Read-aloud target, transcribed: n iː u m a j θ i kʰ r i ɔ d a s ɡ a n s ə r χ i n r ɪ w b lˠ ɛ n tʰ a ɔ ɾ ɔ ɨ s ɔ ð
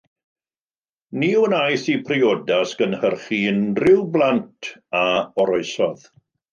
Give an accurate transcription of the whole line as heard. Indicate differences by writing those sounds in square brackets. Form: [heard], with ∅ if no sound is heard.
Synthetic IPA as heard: n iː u [n] a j θ i [pʰ] r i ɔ d a s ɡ [ə] n [h] ə r χ i n r ɪ w b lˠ [a] n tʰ a ɔ ɾ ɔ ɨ s ɔ ð